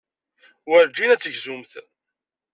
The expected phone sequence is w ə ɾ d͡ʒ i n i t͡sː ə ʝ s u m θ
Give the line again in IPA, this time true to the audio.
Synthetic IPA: w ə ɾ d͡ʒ i n æ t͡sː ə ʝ z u m θ